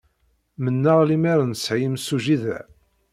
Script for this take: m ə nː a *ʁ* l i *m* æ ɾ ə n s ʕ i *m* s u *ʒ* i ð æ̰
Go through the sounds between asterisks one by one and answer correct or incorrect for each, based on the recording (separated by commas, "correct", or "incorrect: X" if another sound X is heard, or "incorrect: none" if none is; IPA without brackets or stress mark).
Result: correct, correct, correct, correct